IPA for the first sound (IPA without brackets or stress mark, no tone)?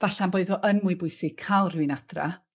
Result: v